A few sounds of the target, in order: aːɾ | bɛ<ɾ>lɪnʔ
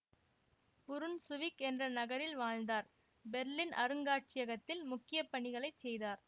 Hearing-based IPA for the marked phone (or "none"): ɾ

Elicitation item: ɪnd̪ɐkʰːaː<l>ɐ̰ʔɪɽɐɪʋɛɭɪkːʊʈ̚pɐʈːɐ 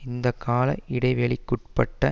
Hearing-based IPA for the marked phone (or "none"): l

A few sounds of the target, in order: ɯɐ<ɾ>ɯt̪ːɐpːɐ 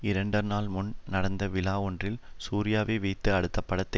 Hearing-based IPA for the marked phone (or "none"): ɽ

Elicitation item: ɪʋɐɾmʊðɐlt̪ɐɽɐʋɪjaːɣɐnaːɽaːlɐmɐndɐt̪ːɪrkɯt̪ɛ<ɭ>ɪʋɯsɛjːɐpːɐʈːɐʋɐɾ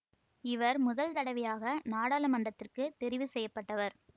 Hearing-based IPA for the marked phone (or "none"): ɾ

